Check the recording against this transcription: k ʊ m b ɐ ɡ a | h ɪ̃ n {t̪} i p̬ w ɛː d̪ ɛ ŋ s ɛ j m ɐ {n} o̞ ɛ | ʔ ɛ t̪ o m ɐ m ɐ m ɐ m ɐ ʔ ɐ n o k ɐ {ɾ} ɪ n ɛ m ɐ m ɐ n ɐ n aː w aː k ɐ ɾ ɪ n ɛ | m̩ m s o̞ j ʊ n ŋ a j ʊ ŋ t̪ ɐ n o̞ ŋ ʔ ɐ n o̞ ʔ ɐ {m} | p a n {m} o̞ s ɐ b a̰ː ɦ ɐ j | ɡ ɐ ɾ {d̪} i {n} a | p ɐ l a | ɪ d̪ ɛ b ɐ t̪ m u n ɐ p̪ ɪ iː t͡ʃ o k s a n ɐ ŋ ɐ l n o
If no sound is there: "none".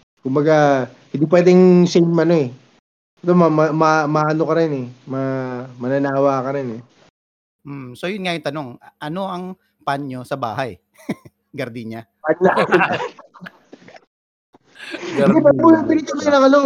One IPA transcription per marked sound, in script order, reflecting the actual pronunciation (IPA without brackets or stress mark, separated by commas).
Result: d̪, n, ɾ, ŋ, ɲ, d̪, ɲ